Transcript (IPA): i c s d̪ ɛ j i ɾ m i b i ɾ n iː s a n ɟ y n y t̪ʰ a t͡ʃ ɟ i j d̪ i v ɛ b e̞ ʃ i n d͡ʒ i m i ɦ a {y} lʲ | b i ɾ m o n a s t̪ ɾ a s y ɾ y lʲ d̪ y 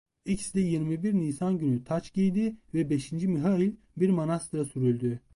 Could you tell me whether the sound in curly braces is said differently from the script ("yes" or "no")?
yes